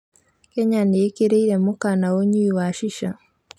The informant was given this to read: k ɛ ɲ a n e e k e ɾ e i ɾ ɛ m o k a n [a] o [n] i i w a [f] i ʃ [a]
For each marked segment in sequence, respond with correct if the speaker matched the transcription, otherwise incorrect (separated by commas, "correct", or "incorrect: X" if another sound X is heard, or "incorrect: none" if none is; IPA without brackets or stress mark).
correct, incorrect: ɲ, incorrect: ʃ, correct